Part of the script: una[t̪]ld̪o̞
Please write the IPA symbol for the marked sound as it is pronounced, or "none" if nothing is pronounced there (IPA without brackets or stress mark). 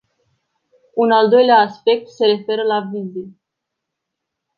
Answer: none